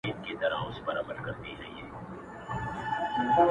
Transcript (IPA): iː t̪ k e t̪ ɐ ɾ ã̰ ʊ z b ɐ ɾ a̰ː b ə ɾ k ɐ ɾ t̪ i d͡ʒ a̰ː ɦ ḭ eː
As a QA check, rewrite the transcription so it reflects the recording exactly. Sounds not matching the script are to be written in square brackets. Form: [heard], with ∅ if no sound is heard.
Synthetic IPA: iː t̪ k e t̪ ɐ ɾ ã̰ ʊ [s] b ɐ ɾ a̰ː b ə ɾ k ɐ ɾ t̪ i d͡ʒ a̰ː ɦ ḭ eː